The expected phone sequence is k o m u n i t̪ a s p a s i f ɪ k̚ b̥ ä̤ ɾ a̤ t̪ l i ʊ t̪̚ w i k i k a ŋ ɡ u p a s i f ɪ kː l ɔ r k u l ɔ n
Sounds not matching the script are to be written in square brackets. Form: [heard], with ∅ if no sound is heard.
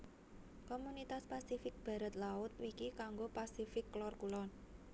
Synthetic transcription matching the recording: k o m u n i t̪ a s p a s i f ɪ k̚ b̥ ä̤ ɾ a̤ t̪ l [a] ʊ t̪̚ w i k i k a ŋ ɡ [o] p a s i f ɪ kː l ɔ r k u l ɔ n